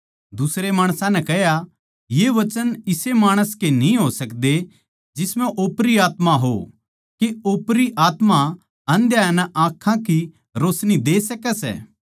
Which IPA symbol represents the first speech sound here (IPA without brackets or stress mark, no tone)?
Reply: d̪